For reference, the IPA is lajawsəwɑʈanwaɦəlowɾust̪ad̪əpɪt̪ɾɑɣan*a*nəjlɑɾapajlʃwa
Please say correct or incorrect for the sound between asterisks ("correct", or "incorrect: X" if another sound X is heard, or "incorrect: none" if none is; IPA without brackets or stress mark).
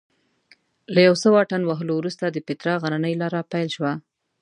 correct